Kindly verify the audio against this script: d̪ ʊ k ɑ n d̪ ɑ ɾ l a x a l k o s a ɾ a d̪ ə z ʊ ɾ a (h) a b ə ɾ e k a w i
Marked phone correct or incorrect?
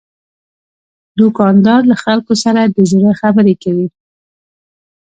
incorrect